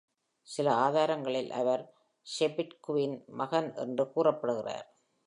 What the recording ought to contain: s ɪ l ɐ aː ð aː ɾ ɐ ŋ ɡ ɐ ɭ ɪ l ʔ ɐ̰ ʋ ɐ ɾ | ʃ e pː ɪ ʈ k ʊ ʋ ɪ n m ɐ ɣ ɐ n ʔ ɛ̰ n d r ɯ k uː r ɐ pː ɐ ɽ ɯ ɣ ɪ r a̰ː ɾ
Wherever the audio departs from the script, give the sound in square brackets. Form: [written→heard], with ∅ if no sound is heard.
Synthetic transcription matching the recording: s ɪ l ɐ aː ð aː ɾ ɐ ŋ ɡ ɐ ɭ ɪ l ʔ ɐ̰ ʋ ɐ ɾ | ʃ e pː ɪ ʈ k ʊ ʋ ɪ n m ɐ ɣ ɐ n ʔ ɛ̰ n d r ɯ k uː r ɐ pː ɐ ɽ ɯ ɣ ɪ r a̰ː ɾ